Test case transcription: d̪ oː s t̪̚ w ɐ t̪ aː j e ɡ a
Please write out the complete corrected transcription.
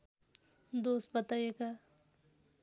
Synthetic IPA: d̪ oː s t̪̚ b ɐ t̪ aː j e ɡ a